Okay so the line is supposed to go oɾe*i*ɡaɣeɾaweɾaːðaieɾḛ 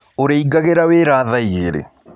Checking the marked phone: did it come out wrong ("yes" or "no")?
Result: no